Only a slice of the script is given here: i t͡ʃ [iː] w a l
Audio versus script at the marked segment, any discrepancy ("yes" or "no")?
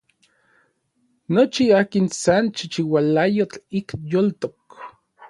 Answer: yes